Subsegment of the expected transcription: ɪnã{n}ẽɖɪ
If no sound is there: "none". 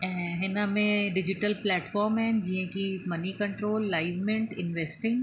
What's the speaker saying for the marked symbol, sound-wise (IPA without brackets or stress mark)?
m